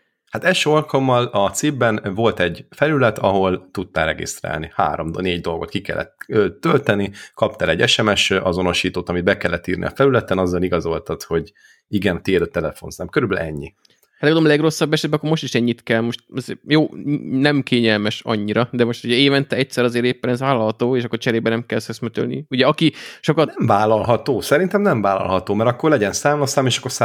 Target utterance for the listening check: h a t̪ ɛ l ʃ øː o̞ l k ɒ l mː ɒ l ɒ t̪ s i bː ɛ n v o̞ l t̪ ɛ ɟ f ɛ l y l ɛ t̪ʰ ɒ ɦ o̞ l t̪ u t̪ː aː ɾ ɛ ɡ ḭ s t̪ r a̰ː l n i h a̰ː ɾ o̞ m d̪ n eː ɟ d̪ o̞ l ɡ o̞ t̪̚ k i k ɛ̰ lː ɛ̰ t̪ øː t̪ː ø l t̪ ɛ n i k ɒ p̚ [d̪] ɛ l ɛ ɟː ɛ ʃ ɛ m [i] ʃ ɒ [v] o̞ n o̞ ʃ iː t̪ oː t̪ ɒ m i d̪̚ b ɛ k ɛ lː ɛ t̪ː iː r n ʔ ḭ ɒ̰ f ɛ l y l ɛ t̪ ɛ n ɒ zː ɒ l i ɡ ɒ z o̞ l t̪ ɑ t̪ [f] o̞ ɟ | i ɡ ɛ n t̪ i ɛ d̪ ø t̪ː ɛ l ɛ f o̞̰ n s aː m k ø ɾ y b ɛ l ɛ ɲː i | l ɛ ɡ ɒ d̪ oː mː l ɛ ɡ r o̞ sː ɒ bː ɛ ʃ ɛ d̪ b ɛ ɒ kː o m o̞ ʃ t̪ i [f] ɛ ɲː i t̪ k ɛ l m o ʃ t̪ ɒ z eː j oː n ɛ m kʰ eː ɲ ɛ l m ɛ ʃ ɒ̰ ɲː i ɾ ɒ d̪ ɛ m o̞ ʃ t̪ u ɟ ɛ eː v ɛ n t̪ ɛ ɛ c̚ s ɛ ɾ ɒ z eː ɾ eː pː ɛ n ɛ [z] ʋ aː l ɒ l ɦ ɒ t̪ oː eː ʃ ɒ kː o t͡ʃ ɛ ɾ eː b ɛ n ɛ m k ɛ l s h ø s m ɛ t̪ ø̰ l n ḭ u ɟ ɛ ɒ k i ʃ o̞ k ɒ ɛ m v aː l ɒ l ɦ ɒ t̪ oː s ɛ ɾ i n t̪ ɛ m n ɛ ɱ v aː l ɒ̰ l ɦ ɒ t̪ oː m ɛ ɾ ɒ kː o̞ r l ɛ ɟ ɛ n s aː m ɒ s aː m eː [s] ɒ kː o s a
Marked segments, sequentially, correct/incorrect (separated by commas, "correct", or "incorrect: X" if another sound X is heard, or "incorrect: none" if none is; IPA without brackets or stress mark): incorrect: t̪, incorrect: ɛ, incorrect: z, incorrect: h, incorrect: ʃ, correct, incorrect: ʃ